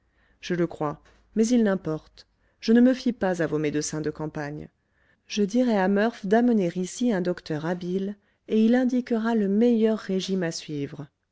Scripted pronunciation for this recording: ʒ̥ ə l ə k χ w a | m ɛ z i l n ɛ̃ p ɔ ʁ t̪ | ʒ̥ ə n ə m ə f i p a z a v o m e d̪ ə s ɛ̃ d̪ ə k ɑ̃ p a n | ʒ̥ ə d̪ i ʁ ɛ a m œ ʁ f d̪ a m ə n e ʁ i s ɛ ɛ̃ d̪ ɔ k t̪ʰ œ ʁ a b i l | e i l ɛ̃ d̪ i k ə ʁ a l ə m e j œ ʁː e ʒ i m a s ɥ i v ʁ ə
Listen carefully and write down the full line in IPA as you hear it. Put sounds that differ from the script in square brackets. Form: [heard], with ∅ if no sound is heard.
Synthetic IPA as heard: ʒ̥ ə l ə k χ w a | m ɛ z i l n ɛ̃ p ɔ ʁ t̪ | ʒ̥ ə n ə m ə f i p a z a v o m e d̪ ə s ɛ̃ d̪ ə k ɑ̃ p a [ɲ] | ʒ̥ ə d̪ i ʁ ɛ a m œ ʁ f d̪ a m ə n e ʁ i s [i] ɛ̃ d̪ ɔ k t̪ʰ œ ʁ a b i l | e i l ɛ̃ d̪ i k ə ʁ a l ə m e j œ ʁː e ʒ i m a s ɥ i v ʁ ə